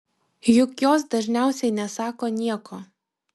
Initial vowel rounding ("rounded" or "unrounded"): rounded